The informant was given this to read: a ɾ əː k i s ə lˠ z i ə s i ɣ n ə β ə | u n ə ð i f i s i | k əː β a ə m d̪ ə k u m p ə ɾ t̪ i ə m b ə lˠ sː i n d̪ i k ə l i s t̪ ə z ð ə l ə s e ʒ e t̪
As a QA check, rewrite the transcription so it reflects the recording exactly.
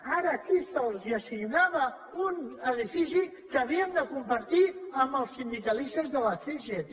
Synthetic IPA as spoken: a ɾ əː k i s ə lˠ z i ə s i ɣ n a β ə | u n ə ð i f i s i | k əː β i ə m d̪ ə k u m p ə ɾ t̪ i ə m b ə lˠ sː i n d̪ i k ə l i s t̪ ə z ð ə l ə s e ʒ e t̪